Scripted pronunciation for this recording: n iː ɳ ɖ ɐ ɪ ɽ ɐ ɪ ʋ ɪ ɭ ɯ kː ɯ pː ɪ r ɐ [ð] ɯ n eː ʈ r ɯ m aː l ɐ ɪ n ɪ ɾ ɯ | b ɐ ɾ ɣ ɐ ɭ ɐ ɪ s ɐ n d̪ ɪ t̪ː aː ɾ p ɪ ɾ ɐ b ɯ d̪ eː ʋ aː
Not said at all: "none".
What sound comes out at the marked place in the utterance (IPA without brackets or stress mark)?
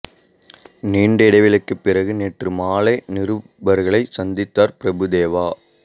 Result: ɣ